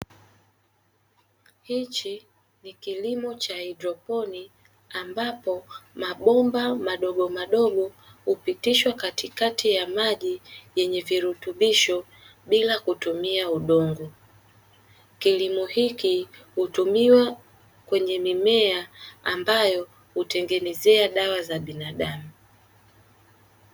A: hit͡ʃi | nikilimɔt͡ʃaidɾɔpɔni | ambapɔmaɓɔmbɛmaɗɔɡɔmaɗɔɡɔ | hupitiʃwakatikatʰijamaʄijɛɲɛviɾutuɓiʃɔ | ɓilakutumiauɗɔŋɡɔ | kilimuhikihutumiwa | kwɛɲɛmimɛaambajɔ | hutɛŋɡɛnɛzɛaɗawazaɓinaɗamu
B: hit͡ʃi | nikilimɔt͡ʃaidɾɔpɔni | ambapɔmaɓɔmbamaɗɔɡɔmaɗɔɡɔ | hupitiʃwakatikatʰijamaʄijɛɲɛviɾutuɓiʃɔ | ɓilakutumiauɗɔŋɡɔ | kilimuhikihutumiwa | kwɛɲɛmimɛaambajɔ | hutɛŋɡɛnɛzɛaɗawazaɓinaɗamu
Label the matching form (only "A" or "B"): B